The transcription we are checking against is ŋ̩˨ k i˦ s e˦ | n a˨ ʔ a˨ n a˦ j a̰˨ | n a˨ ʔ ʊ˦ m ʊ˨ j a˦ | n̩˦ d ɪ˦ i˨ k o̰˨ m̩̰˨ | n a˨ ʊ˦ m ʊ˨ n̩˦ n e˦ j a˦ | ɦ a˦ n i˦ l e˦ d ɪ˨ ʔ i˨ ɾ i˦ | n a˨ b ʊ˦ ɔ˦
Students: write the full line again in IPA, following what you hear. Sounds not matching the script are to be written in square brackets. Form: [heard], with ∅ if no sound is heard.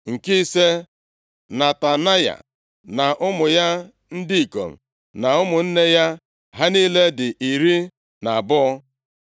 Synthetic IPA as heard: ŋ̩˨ k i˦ s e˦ | n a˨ [t] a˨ n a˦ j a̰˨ | n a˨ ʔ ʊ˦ m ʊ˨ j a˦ | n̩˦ d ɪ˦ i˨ k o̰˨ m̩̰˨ | n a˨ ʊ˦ m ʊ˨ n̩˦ n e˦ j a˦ | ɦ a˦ n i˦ l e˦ d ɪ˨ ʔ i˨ ɾ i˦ | n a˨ b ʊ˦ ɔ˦